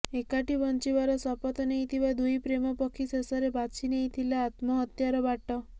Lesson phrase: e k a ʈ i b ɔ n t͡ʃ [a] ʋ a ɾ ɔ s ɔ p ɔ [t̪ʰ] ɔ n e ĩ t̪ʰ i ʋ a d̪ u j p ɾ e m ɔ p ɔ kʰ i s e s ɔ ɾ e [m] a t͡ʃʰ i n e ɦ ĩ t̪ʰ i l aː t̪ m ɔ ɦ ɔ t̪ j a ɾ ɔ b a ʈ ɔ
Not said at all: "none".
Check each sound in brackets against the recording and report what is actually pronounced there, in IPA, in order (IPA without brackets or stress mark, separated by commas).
i, t̪, b